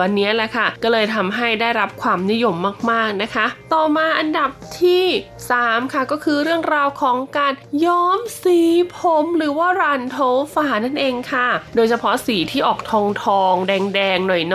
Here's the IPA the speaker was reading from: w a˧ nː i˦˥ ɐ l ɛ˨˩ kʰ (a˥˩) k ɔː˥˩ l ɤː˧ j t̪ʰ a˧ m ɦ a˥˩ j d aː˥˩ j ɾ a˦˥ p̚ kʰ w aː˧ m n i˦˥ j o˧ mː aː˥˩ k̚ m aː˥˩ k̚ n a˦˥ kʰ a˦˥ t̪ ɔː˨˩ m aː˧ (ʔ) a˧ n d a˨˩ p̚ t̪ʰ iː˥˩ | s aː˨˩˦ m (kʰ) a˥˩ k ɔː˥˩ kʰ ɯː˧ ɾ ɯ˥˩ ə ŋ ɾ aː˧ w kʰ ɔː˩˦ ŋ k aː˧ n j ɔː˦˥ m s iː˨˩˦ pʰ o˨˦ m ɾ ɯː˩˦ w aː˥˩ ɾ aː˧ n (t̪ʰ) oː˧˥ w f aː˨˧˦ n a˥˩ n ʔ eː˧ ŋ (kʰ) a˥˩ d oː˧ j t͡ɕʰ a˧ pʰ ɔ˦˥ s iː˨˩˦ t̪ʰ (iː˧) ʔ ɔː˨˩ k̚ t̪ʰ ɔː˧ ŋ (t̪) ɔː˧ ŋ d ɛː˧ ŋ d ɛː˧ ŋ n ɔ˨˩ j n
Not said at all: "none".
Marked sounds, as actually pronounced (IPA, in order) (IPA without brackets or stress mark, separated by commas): a˥˩, ʔ, kʰ, t̪ʰ, kʰ, iː˥˩, t̪ʰ